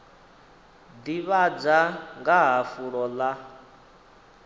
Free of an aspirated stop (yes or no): yes